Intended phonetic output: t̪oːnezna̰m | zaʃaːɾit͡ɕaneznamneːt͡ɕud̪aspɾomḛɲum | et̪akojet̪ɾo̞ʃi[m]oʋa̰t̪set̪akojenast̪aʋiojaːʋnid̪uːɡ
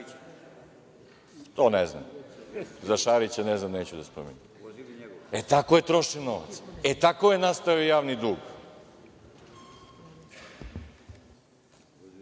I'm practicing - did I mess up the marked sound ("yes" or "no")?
yes